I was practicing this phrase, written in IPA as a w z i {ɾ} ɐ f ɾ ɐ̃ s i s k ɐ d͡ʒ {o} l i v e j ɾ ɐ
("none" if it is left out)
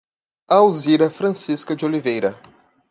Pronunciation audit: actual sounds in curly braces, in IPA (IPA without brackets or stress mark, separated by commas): ɾ, o